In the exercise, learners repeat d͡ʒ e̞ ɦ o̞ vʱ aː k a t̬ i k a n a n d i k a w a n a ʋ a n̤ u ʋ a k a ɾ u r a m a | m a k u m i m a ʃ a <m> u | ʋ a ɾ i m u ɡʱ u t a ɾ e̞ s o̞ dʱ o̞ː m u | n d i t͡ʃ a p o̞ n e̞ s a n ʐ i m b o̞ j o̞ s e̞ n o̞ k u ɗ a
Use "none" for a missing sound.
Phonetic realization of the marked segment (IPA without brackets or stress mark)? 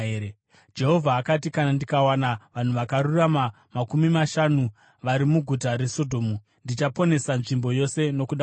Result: n